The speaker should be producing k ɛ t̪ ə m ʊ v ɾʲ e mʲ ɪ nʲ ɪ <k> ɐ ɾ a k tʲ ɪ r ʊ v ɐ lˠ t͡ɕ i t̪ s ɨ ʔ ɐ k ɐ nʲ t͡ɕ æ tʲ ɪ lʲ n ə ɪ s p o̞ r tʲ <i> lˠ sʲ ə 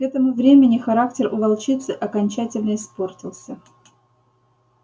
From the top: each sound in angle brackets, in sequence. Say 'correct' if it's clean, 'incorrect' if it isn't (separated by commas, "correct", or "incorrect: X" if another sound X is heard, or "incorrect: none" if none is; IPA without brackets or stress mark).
incorrect: x, incorrect: ɪ